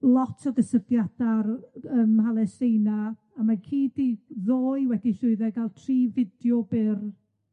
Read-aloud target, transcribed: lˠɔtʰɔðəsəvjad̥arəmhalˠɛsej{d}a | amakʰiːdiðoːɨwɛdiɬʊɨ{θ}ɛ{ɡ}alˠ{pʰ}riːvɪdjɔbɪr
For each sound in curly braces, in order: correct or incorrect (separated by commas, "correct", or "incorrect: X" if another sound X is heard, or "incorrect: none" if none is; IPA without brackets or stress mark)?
incorrect: n, incorrect: ð, correct, incorrect: tʰ